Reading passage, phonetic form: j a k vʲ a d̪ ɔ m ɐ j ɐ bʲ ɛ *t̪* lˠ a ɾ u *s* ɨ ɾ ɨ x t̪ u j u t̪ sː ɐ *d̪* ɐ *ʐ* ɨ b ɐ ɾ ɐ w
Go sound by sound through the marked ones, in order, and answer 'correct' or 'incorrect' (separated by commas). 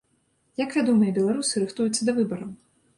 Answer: incorrect, correct, correct, incorrect